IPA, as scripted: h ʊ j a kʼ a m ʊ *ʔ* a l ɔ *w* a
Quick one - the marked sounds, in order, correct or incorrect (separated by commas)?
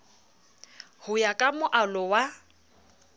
correct, correct